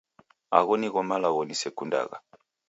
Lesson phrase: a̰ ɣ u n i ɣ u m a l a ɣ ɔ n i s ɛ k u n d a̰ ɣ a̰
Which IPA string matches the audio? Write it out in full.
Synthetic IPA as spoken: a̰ ɣ ɔ n i ɣ ɔ m a l a ɣ ɔ n i s ɛ k u n d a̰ ɣ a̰